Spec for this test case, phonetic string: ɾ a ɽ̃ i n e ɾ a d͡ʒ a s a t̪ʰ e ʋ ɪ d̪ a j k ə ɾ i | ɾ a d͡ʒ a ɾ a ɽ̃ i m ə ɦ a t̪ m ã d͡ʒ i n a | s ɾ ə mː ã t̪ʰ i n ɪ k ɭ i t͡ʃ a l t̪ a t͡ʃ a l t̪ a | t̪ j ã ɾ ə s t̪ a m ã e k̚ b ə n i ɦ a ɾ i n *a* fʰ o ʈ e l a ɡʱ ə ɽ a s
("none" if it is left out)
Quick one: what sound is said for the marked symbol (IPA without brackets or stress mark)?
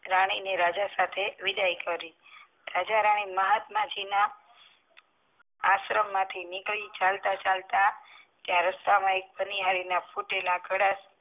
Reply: a